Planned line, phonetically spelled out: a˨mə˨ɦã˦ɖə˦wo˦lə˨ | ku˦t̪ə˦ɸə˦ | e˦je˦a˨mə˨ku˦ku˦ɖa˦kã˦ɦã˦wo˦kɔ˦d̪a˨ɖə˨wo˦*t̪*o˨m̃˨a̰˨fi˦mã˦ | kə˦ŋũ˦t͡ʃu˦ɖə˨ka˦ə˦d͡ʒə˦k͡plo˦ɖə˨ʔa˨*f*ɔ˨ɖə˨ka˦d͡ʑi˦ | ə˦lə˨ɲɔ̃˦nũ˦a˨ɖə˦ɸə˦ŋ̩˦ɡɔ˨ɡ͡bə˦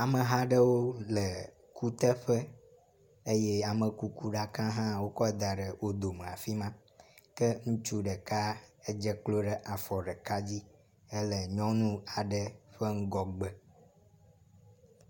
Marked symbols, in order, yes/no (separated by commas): no, yes